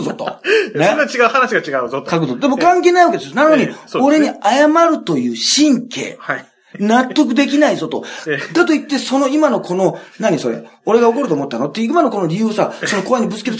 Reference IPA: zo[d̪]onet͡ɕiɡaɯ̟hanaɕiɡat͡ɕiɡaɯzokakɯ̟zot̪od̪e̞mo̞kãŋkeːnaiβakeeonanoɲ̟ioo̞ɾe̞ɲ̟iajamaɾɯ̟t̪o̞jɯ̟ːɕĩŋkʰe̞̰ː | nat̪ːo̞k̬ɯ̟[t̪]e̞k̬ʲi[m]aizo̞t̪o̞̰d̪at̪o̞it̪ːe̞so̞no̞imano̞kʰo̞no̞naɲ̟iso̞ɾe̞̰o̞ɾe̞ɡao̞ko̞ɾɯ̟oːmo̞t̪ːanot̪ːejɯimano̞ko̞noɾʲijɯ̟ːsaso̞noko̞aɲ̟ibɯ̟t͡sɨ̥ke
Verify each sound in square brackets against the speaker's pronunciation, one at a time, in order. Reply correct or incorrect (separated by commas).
incorrect, incorrect, incorrect